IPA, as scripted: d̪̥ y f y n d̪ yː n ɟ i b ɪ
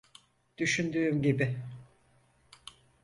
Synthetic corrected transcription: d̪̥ y ʃ y n d̪ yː m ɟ i b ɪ